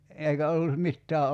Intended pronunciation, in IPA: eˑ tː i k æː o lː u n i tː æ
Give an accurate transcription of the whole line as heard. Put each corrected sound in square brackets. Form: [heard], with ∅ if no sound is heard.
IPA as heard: eˑ [∅] i k [æ] o lː u [m] i tː [æː]

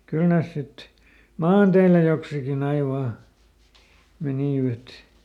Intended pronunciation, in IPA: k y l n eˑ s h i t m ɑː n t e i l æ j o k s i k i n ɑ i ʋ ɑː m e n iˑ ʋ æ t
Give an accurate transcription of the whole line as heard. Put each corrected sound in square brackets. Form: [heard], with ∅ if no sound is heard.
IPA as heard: k y l n eˑ s [s] i t m ɑː n t e i l æ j o k s i k i n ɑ i ʋ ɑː m e n iˑ ʋ æ t

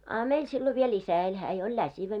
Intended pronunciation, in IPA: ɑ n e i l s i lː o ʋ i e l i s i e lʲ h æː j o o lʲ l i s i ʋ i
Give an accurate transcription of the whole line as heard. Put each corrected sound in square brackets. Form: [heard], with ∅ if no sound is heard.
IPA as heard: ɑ [m] e i l s i lː o ʋ i e l i s [æ] e lʲ h æː j o o lʲ l [æ] s i ʋ [æ]

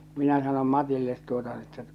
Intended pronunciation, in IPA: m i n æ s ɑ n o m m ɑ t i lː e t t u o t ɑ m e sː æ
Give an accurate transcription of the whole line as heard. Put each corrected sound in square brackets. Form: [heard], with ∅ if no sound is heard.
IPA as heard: m i n æ s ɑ n o m m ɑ t i lː e t t u o t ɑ [n] e [tː] æ

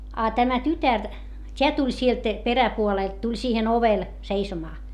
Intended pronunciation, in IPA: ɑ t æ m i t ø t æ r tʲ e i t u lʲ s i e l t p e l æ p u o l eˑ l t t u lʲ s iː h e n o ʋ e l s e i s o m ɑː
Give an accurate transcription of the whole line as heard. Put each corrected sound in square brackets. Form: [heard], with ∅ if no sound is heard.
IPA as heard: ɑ t æ m [æ] t [y] t æ r tʲ e [æ] t u lʲ s i e l t p e [r] æ p u o l eˑ l t t u lʲ s iː h e n o ʋ e l s e i s o m ɑː

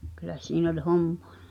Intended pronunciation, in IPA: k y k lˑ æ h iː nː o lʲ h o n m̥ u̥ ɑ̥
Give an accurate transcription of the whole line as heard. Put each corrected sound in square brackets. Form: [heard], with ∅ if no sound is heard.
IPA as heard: k y [∅] lˑ æ [s] iː [n] o lʲ h o [m] m̥ [o̥] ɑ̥

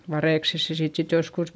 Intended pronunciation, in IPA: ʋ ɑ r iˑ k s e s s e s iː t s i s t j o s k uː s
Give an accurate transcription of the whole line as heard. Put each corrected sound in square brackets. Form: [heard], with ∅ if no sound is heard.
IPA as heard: ʋ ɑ r [eˑ] k s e s s e s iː t s i [∅] t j o s k [u] s

